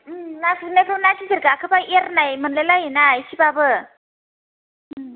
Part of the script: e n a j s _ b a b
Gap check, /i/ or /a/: i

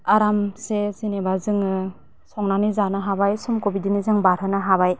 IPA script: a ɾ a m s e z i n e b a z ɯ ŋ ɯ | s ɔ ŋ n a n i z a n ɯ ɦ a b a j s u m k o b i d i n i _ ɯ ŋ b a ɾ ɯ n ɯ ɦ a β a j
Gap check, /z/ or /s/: z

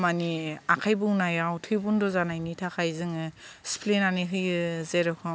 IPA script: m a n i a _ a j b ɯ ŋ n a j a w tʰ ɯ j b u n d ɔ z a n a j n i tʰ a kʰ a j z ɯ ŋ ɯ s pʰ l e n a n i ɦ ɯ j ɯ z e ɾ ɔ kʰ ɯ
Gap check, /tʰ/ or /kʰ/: kʰ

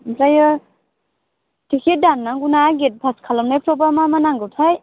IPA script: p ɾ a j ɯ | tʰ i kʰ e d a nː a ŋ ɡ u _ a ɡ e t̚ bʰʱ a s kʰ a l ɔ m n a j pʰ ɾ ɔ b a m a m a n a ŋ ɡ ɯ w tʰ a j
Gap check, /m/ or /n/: n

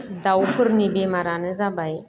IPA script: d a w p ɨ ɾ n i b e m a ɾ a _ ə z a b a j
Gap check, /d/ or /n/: n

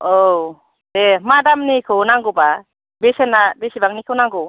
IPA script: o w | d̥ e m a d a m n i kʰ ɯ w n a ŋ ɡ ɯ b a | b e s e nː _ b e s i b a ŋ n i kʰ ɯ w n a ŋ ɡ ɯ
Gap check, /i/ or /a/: a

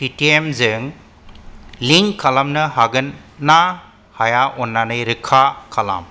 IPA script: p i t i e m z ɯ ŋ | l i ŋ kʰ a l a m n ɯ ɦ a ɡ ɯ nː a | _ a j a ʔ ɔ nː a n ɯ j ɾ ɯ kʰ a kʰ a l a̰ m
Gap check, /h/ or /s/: h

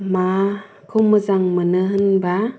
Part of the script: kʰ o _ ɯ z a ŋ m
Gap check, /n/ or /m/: m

